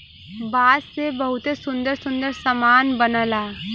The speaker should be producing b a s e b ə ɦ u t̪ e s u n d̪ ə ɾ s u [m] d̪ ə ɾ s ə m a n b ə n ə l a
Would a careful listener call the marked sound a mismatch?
yes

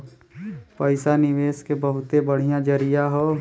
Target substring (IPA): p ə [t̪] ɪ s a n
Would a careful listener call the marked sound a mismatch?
yes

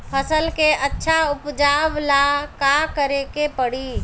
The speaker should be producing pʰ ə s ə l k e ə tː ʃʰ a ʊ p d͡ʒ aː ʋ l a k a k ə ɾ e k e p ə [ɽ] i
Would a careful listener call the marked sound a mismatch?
no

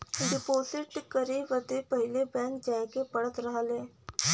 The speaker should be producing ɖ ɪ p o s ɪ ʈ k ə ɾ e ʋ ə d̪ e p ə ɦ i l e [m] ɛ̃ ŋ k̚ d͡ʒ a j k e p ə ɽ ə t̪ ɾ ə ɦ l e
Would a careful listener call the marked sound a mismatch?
yes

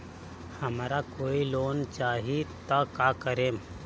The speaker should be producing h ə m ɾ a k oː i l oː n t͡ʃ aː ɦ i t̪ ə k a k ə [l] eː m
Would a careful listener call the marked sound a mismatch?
yes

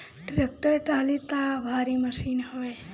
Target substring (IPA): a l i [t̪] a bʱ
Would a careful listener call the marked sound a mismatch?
no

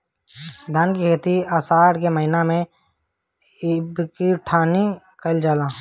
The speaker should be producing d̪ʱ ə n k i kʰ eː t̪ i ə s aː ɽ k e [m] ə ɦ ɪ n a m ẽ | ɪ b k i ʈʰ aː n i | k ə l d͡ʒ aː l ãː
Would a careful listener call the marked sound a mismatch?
no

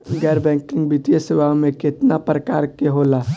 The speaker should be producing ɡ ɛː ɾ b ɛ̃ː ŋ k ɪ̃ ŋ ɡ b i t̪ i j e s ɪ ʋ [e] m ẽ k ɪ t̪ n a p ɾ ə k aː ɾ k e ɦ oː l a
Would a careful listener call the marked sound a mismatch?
yes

